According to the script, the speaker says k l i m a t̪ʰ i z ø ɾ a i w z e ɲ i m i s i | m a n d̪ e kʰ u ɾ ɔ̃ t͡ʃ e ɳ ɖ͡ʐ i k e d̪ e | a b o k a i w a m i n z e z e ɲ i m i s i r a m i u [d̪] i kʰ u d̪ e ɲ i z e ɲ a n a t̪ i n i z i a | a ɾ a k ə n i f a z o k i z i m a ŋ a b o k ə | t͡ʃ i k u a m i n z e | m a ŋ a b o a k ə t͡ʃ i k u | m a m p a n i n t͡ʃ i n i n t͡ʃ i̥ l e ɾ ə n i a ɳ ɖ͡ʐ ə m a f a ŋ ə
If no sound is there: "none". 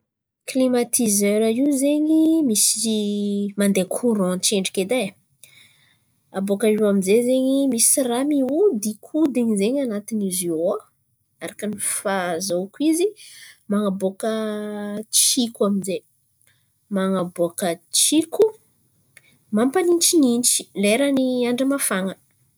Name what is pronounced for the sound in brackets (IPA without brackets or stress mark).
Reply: d̪